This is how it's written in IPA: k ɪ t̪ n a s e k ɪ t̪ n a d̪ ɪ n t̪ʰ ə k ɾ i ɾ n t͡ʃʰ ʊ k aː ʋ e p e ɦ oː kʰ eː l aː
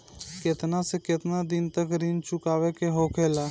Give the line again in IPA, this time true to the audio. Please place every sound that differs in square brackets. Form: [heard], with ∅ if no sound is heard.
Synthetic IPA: k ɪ t̪ n a s e k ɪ t̪ n a d̪ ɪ n [t̪] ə k ɾ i [∅] n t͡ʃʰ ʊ k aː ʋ e [k] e ɦ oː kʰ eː l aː

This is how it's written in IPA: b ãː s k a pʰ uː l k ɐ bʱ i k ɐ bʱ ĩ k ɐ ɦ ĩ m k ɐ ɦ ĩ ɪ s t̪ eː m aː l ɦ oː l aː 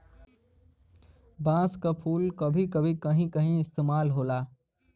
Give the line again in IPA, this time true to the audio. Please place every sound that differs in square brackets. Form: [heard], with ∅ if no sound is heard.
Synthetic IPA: b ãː s k a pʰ uː l k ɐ bʱ i k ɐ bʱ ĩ k ɐ ɦ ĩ [∅] k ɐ ɦ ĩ ɪ s t̪ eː m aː l ɦ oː l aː

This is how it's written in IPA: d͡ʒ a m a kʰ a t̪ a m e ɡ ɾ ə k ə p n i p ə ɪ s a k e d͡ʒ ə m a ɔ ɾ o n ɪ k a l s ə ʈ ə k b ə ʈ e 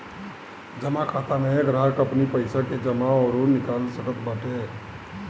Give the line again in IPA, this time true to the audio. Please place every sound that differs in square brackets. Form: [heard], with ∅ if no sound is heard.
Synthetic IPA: d͡ʒ [ə] m a kʰ a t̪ a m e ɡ ɾ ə k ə p n i p ə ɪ s a k e d͡ʒ ə m a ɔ ɾ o n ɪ k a l s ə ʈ ə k b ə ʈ e

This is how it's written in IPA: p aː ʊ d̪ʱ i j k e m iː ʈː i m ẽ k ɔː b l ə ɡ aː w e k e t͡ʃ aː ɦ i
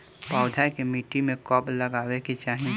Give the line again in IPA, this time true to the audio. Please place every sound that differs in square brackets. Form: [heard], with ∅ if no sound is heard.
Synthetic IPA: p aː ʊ d̪ʱ [a] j k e m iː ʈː i m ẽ k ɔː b l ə ɡ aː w e k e t͡ʃ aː ɦ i

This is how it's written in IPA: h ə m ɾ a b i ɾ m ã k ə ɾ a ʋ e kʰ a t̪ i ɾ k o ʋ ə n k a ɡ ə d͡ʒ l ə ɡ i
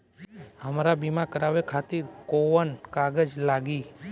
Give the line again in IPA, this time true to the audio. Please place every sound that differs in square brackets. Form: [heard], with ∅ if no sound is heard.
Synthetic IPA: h ə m ɾ a b i [∅] m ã k ə ɾ a ʋ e kʰ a t̪ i ɾ k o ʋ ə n k a ɡ ə d͡ʒ l [a] ɡ i

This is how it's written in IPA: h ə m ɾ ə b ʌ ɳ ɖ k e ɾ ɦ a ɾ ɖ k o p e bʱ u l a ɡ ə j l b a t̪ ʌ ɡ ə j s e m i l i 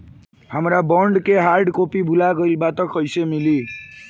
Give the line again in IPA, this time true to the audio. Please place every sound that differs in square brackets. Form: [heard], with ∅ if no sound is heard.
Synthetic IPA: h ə m ɾ [a] b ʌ ɳ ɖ k e [∅] ɦ a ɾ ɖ k o p [i] bʱ u l a ɡ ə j l b a t̪ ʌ [k] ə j s e m i l i

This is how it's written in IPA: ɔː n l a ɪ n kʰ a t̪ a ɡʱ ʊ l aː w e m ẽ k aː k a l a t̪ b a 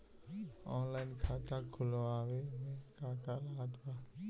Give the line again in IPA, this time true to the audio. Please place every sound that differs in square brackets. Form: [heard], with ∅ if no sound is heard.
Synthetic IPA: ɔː n l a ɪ n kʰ a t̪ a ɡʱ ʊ l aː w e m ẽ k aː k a l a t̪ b a

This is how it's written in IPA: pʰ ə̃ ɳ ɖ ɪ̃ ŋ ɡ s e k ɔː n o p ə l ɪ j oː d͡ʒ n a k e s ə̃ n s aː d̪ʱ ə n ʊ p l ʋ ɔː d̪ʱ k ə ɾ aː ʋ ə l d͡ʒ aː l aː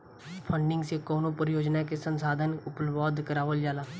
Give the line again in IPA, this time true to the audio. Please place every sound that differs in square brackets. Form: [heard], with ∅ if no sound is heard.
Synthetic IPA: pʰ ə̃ ɳ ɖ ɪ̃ ŋ ɡ s e k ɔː n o p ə [ɾ] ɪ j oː d͡ʒ n a k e s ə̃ n s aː d̪ʱ ə n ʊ p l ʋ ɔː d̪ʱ k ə ɾ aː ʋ ə l d͡ʒ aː l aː

